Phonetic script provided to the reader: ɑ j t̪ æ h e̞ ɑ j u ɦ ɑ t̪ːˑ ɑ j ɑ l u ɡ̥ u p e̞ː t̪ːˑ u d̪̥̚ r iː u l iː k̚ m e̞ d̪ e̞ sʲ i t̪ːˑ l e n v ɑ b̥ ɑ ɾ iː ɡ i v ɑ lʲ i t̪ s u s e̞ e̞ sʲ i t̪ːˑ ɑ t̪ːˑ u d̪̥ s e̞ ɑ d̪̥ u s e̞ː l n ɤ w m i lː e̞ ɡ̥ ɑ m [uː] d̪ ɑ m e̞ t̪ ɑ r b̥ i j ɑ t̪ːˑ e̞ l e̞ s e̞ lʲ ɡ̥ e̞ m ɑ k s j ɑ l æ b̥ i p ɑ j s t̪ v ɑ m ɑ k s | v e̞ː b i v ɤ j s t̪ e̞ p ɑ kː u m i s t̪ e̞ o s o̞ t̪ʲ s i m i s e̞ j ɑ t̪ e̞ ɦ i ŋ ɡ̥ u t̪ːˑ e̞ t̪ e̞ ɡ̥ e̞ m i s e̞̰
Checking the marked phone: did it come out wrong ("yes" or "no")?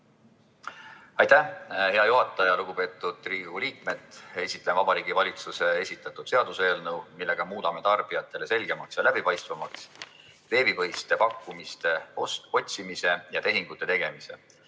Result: no